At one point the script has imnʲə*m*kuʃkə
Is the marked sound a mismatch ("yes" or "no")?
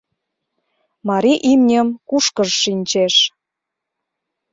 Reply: no